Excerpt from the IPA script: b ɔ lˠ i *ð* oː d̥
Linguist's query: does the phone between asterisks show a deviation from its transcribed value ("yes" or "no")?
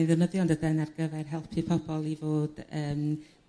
yes